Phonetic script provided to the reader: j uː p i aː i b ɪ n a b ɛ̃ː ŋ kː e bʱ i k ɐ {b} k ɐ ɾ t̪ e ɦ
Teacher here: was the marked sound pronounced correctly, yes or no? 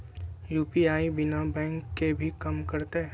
no